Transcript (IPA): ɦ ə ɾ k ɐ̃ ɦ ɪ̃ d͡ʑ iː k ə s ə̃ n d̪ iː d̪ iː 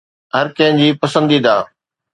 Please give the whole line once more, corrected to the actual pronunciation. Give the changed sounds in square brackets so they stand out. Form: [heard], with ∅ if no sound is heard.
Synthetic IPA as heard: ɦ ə ɾ k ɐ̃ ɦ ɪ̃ d͡ʑ iː [p] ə s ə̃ n d̪ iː d̪ [aː]